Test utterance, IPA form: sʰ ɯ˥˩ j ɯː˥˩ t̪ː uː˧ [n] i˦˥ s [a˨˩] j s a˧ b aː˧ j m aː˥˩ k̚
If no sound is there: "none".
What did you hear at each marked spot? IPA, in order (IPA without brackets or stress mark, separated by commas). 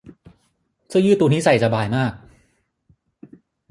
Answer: n, a˨˩